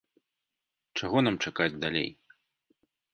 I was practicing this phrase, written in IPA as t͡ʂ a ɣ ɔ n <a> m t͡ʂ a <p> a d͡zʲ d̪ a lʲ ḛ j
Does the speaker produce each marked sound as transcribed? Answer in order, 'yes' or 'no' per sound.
yes, no

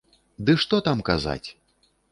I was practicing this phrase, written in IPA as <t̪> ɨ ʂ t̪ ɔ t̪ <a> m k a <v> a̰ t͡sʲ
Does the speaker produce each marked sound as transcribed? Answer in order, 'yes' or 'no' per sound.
no, yes, no

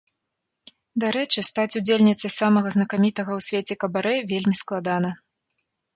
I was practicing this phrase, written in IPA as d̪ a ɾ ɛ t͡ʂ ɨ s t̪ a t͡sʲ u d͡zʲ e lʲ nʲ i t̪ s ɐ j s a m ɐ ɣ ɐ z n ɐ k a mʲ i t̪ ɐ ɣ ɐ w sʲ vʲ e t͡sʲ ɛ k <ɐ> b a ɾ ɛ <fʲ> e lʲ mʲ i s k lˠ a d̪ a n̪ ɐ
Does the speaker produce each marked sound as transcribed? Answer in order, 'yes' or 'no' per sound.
yes, no

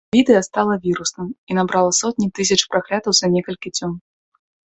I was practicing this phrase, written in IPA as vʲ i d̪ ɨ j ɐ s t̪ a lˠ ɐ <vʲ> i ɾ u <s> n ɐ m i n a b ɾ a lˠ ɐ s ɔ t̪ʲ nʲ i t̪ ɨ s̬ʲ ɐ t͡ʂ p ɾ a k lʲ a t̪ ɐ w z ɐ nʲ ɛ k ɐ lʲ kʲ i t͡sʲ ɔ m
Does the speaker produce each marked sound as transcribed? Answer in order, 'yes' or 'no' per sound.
yes, yes

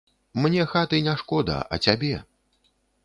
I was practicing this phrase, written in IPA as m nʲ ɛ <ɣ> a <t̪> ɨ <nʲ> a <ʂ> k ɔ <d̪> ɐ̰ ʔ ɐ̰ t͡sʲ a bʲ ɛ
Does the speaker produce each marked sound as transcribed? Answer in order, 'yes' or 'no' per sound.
no, yes, yes, yes, yes

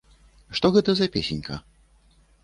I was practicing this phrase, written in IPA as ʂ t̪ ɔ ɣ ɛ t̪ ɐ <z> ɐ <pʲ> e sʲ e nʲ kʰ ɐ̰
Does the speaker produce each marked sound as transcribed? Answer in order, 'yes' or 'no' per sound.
yes, yes

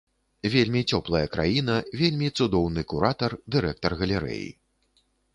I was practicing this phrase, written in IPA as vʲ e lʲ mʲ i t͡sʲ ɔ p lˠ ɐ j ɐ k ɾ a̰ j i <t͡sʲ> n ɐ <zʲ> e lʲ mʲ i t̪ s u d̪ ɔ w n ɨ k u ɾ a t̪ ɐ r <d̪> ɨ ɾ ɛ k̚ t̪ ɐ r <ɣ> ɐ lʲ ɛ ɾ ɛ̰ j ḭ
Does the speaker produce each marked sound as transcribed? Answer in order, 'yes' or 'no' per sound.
no, no, yes, yes

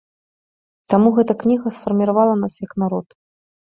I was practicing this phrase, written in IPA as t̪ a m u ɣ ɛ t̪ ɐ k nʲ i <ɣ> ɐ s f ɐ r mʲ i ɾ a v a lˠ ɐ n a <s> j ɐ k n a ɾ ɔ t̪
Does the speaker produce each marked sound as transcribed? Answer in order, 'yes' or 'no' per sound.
yes, yes

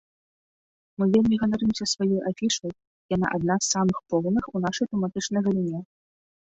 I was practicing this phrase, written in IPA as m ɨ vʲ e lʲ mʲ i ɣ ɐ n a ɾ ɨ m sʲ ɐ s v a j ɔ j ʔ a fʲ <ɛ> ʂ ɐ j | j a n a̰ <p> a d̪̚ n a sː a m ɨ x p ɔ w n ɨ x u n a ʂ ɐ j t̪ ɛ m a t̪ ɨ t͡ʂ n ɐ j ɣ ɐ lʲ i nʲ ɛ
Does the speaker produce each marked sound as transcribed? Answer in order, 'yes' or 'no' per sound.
no, no

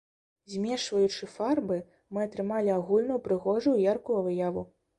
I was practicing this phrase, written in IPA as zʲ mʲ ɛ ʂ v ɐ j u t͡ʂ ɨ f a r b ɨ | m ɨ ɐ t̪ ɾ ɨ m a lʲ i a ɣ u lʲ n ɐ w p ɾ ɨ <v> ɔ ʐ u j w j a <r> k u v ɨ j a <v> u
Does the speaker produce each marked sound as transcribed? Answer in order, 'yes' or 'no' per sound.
no, yes, yes

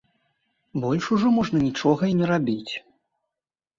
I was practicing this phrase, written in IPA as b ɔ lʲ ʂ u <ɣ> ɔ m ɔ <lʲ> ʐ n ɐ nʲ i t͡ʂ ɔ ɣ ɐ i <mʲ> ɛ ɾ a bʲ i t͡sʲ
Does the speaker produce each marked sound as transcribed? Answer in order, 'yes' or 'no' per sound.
no, no, no

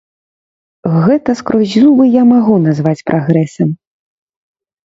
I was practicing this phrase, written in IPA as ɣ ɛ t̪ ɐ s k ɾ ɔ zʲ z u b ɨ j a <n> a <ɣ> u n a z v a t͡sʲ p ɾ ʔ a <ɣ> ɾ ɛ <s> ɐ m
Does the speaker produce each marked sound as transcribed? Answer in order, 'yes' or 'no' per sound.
no, yes, yes, yes

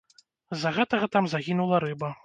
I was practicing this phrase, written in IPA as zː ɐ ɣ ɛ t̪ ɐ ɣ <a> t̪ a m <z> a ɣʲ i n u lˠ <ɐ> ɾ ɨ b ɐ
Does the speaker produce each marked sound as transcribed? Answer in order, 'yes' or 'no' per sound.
no, yes, yes

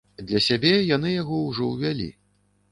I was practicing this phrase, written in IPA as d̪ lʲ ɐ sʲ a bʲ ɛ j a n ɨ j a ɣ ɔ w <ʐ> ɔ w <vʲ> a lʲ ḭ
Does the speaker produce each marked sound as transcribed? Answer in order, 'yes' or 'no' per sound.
yes, yes

